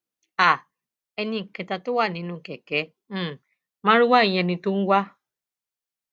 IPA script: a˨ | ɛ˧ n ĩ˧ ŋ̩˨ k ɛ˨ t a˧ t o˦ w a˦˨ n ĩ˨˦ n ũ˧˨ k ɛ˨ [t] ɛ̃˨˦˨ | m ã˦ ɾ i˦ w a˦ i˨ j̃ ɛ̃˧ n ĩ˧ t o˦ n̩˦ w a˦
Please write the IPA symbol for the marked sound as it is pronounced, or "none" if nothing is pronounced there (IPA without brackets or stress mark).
k